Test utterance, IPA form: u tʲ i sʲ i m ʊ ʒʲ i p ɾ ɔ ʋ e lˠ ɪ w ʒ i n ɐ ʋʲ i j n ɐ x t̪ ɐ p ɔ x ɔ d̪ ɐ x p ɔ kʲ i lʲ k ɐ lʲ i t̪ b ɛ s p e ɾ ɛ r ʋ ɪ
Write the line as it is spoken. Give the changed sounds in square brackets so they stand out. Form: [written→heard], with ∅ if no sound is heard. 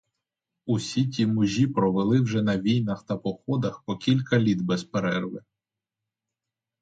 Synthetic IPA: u [tʲ→sʲ] i [sʲ→tʲ] i m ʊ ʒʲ i p ɾ ɔ ʋ e lˠ ɪ w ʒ [i→ɛ] n ɐ ʋʲ i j n ɐ x t̪ ɐ p ɔ x ɔ d̪ ɐ x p ɔ kʲ i lʲ k ɐ lʲ i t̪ b ɛ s p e ɾ ɛ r ʋ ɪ